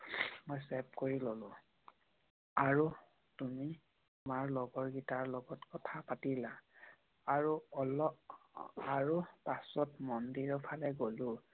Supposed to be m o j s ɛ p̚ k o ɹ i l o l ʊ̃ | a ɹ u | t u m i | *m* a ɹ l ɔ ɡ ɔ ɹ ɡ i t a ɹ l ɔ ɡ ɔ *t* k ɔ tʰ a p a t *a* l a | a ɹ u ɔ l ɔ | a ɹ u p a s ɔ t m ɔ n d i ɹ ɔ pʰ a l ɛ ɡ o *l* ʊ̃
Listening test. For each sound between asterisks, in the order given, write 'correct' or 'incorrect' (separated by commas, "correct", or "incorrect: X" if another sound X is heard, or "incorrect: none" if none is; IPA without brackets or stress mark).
correct, correct, incorrect: i, correct